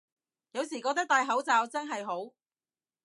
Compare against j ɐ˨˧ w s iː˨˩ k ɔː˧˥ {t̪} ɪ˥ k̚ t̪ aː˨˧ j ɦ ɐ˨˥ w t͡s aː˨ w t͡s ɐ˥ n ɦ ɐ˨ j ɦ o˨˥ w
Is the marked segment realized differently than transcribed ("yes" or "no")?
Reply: no